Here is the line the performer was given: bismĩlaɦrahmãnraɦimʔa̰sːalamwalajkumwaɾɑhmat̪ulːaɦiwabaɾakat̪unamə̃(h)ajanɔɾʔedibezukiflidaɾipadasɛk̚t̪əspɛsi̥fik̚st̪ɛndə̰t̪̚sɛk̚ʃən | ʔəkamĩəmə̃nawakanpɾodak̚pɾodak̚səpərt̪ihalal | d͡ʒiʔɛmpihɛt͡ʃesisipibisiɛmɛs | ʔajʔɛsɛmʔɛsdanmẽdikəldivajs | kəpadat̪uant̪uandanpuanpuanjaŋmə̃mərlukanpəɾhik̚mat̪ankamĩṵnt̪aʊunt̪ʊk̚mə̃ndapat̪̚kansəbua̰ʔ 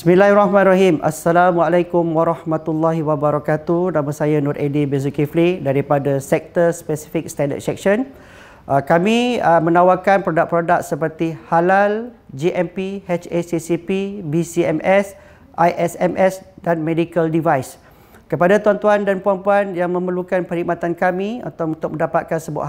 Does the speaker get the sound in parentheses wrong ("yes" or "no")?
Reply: yes